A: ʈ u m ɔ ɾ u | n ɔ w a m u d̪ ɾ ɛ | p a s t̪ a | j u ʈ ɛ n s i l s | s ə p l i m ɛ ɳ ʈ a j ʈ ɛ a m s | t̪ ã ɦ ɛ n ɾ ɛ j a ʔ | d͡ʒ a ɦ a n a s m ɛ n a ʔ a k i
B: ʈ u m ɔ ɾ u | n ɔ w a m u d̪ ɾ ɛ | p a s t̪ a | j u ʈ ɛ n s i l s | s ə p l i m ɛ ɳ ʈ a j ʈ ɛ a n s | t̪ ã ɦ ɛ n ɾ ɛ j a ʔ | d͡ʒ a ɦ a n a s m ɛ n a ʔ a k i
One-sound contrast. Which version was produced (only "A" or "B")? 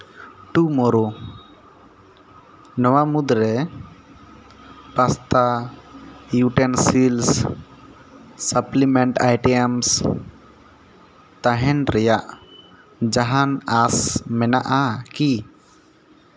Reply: A